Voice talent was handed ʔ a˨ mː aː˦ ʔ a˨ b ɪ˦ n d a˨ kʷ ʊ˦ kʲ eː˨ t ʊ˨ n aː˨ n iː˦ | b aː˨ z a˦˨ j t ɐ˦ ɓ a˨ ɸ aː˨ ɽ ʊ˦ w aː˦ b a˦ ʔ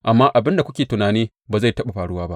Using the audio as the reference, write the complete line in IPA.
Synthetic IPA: ʔ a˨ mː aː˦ ʔ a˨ b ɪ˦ n d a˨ kʷ ʊ˦ kʲ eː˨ t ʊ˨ n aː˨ n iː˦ | b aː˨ z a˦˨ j t ɐ˦ ɓ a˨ ɸ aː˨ ɽ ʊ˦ w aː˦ b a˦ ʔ